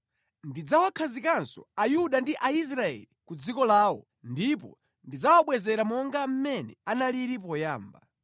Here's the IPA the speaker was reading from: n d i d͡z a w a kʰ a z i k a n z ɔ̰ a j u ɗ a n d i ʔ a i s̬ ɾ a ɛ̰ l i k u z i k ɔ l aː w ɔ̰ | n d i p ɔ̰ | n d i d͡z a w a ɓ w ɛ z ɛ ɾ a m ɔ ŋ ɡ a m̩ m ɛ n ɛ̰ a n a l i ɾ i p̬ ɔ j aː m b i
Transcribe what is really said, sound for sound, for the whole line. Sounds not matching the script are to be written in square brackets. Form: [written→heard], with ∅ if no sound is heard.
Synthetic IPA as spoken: n d i d͡z a w a kʰ a z i k a n [z→s] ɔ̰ a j u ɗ a n d i ʔ a i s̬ ɾ a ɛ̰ l i k u [z→d͡z] i k ɔ l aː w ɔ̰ | n d i p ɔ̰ | n d i d͡z a w a ɓ w ɛ z ɛ ɾ a m ɔ ŋ ɡ a m̩ m ɛ n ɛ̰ a n a l i ɾ i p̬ ɔ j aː m b [i→a]